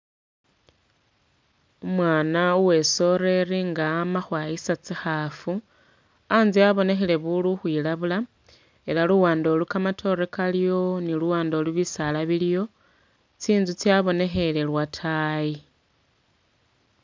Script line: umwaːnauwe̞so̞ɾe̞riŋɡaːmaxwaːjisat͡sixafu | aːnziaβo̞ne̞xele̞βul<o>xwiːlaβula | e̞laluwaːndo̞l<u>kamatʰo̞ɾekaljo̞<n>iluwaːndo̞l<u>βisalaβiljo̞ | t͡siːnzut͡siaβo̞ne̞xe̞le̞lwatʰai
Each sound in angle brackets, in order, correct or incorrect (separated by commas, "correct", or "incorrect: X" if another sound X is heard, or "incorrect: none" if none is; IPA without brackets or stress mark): incorrect: u, correct, correct, correct